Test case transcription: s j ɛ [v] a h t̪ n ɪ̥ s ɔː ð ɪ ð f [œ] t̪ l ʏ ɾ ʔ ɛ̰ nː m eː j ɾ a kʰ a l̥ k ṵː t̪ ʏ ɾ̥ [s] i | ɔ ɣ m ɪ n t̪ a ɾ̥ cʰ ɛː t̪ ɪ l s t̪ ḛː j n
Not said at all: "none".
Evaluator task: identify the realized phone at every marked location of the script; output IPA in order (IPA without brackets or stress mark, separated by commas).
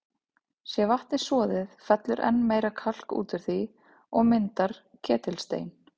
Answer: v, ɛ, θ